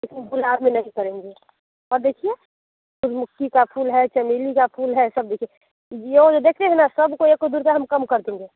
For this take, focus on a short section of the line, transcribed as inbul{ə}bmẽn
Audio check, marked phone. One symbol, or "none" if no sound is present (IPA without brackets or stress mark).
a